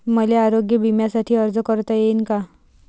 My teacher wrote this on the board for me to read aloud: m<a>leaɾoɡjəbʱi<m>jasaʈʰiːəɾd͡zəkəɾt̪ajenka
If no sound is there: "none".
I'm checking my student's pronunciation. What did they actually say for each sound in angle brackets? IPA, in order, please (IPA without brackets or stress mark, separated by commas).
ə, m